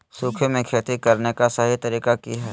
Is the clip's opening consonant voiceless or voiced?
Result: voiceless